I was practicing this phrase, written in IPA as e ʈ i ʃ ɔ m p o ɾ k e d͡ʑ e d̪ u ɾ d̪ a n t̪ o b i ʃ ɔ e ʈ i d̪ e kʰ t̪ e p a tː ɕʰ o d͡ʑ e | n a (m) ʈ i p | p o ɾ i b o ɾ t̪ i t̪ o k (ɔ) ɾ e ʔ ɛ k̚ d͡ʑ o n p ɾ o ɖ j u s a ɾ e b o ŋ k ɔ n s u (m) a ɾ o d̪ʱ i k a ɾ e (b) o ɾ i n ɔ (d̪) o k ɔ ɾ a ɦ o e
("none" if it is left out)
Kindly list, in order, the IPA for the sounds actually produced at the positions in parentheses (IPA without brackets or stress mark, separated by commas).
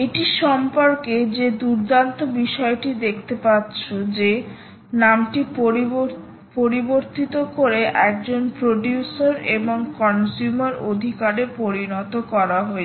m, o, m, p, t̪